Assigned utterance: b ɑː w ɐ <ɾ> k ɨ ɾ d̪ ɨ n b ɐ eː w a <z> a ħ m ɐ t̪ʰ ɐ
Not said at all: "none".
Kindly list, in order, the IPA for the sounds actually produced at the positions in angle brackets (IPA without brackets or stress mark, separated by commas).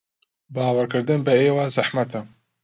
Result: ɾ, z